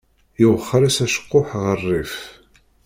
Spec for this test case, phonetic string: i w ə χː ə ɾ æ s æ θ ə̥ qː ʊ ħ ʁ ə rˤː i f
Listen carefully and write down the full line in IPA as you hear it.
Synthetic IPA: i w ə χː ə ɾ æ s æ ʃ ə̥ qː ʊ ħ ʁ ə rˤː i f